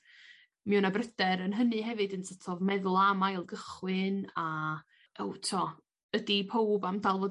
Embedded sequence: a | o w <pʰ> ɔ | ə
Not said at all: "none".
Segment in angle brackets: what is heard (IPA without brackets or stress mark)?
tʰ